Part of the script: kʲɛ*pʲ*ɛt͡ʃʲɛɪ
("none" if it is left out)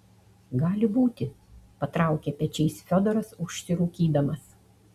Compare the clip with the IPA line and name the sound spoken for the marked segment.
pʲ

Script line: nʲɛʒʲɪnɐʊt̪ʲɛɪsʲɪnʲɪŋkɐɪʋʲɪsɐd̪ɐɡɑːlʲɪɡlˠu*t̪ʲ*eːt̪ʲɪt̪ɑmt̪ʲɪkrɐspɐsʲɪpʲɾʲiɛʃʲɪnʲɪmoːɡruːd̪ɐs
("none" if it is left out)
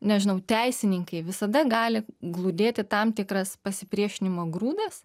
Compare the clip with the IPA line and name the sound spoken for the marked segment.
d̪ʲ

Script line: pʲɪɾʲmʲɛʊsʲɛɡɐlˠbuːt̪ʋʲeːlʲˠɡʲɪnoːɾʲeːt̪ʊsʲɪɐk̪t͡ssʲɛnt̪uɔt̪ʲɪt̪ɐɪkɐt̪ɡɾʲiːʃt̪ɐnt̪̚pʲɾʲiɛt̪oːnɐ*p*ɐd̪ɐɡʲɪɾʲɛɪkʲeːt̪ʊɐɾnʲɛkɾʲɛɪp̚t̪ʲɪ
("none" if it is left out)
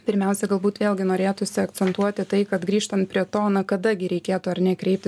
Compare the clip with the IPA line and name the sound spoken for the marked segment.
k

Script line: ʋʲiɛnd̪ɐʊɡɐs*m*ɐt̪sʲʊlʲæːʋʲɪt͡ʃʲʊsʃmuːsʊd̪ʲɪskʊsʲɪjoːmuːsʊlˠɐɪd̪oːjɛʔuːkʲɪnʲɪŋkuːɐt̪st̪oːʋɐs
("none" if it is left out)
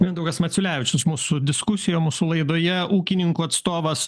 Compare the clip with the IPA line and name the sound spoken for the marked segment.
m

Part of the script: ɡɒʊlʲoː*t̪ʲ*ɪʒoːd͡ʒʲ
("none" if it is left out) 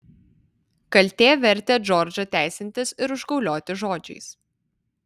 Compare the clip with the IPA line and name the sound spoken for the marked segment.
t̪ʲ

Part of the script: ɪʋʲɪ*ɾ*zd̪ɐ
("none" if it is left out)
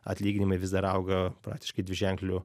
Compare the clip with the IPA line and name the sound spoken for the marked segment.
none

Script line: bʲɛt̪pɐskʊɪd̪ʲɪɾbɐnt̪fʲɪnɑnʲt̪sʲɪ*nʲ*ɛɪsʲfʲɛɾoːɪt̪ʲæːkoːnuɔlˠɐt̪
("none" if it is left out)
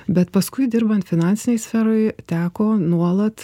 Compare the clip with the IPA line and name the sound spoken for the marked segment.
nʲ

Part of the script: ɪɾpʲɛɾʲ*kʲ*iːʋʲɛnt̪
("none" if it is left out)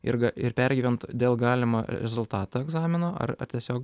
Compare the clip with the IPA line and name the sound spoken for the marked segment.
ɡʲ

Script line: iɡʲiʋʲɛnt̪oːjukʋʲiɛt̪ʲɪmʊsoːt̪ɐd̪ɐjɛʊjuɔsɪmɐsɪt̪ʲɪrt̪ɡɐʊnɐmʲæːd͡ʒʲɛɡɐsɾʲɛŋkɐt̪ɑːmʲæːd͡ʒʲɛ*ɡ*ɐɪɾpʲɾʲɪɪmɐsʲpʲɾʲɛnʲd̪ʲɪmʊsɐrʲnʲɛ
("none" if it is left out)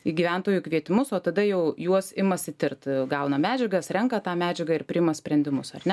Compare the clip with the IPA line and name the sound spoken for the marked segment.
ɡ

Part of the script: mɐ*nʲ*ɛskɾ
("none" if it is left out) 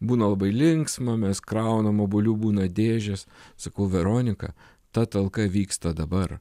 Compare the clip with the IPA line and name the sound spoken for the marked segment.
mʲ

